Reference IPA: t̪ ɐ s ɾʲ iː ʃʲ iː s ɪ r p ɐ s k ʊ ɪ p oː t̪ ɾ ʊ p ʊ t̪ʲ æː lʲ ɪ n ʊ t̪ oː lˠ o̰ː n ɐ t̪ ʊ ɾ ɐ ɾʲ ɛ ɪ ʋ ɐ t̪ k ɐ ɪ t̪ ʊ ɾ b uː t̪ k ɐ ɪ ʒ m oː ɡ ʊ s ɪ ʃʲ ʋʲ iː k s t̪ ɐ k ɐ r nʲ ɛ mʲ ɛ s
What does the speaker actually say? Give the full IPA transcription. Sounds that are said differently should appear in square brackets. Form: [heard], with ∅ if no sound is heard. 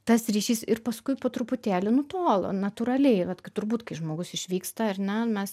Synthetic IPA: t̪ ɐ s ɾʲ iː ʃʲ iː s ɪ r p ɐ s k ʊ ɪ p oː t̪ ɾ ʊ p ʊ t̪ʲ æː lʲ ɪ n ʊ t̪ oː lˠ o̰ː n ɐ t̪ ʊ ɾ ɐ [lʲ] ɛ ɪ ʋ ɐ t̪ k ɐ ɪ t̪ ʊ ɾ b uː t̪ k ɐ ɪ ʒ m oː ɡ ʊ s ɪ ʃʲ ʋʲ iː k s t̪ ɐ [∅] ɐ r nʲ ɛ mʲ ɛ s

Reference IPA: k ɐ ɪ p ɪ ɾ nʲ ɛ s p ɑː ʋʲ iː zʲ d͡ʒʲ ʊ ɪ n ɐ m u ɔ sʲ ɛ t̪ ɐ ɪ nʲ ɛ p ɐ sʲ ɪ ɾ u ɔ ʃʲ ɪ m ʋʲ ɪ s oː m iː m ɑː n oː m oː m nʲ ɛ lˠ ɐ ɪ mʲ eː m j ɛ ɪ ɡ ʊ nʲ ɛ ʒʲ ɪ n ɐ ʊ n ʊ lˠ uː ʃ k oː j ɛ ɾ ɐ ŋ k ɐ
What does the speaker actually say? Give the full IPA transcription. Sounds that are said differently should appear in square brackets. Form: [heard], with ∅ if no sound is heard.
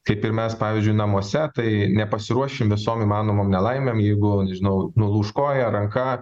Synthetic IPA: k ɐ ɪ p ɪ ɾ [mʲ] ɛ s p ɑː ʋʲ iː zʲ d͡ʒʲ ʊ ɪ n ɐ m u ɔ sʲ ɛ t̪ ɐ ɪ nʲ ɛ p ɐ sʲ ɪ ɾ u ɔ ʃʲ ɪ m ʋʲ ɪ s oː m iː m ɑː n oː m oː m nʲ ɛ lˠ ɐ ɪ mʲ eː m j ɛ ɪ ɡ ʊ nʲ ɛ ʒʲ ɪ n ɐ ʊ n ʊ lˠ uː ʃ k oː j ɛ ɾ ɐ ŋ k ɐ

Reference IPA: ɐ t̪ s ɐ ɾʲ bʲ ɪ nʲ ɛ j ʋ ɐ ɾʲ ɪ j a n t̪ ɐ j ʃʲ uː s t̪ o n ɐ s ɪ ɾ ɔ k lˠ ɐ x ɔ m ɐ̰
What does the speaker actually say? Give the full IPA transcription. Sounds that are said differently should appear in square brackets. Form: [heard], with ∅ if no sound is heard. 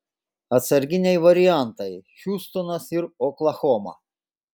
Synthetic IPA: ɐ t̪ s ɐ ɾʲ [ɡʲ] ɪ nʲ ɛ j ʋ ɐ ɾʲ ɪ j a n t̪ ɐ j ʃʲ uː s t̪ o n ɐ s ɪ ɾ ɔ k lˠ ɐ x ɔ m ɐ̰

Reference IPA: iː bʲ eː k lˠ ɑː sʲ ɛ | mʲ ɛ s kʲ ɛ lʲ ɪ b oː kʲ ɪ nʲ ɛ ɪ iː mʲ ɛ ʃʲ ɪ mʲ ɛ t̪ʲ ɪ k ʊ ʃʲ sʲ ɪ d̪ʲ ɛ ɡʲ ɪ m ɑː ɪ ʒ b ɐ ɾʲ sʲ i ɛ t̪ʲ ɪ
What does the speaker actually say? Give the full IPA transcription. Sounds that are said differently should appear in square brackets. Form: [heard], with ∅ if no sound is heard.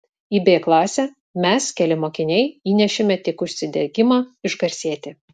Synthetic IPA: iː bʲ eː k lˠ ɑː sʲ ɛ | mʲ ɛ s kʲ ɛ lʲ ɪ [m] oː kʲ ɪ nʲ ɛ ɪ iː [nʲ] ɛ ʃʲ ɪ mʲ ɛ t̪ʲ ɪ k ʊ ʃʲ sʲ ɪ d̪ʲ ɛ ɡʲ ɪ m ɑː ɪ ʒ [ɡ] ɐ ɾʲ sʲ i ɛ t̪ʲ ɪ

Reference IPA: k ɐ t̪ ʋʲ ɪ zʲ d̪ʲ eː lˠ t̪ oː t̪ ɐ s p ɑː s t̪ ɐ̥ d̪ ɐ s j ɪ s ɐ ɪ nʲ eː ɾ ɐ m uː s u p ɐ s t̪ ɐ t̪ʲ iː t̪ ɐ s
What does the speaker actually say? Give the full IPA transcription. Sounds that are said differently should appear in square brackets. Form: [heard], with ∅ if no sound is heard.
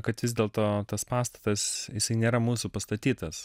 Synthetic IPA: k ɐ t̪ ʋʲ ɪ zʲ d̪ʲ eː lˠ t̪ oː t̪ ɐ s p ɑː s t̪ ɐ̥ [t̪] ɐ s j ɪ s ɐ ɪ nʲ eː ɾ ɐ m uː s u p ɐ s t̪ ɐ t̪ʲ iː t̪ ɐ s

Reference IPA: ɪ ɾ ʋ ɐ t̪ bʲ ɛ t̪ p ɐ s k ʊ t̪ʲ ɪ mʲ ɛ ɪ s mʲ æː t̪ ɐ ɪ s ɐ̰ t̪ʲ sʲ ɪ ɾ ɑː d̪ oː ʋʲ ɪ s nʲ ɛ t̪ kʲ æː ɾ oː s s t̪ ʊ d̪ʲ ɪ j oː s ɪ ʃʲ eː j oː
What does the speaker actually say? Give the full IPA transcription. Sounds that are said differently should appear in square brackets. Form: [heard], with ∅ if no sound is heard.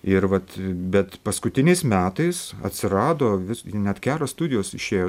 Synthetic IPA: ɪ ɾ ʋ ɐ t̪ bʲ ɛ t̪ p ɐ s k ʊ t̪ʲ ɪ [nʲ] ɛ ɪ s mʲ æː t̪ ɐ ɪ s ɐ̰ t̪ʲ sʲ ɪ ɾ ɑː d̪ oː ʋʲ ɪ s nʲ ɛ t̪ kʲ æː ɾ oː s s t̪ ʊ d̪ʲ ɪ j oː s ɪ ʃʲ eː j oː

